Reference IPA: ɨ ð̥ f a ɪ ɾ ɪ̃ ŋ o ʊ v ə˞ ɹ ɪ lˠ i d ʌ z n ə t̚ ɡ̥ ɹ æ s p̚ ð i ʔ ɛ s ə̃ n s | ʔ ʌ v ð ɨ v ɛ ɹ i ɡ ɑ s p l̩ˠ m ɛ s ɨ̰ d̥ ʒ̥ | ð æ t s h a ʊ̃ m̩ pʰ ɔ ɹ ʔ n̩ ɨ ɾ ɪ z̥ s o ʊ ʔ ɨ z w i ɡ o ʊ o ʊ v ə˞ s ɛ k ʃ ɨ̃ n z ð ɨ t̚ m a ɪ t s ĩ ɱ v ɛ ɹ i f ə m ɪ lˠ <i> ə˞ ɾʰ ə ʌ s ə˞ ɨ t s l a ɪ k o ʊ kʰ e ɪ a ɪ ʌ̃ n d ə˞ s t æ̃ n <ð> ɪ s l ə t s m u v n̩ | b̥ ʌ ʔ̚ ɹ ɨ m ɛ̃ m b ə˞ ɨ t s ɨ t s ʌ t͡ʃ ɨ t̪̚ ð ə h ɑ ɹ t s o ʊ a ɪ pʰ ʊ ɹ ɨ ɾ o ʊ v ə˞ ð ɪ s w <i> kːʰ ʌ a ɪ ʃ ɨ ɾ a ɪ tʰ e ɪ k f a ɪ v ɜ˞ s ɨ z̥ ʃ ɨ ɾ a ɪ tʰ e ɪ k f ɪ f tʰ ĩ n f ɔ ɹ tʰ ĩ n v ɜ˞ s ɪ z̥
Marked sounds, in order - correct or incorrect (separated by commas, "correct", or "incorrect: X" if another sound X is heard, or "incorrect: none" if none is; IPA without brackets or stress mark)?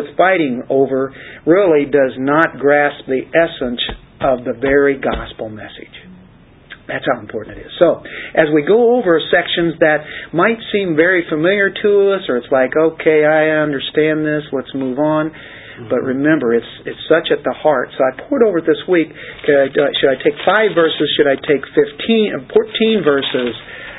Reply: incorrect: j, correct, correct